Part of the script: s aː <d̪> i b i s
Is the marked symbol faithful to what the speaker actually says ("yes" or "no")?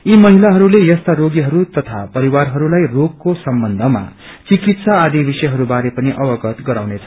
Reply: yes